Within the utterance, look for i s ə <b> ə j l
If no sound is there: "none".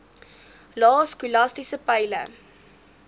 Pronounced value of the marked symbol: p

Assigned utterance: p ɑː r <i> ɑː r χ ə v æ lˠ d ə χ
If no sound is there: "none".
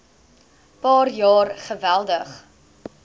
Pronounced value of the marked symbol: j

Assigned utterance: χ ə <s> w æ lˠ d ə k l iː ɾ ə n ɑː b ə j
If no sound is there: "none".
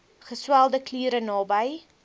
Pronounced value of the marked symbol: s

